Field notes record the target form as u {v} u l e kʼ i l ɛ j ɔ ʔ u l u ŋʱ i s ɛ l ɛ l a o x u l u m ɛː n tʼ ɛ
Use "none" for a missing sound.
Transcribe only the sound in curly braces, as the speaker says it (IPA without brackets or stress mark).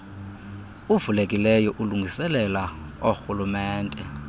v